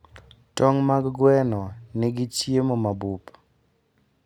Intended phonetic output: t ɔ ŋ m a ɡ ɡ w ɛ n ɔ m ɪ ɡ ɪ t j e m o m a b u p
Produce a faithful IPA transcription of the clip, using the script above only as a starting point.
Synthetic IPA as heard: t ɔ ŋ m a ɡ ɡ w ɛ n ɔ n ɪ ɡ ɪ t͡ʃ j e m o m a b u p